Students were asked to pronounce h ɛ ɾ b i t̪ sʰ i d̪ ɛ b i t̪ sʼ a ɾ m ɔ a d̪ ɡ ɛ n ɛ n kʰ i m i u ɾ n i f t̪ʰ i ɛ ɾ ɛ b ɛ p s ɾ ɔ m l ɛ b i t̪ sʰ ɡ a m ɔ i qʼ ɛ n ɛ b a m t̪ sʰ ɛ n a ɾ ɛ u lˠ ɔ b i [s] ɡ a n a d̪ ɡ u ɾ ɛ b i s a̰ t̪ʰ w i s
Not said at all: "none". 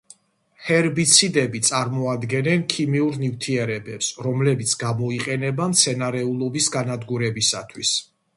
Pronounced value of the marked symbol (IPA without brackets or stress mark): s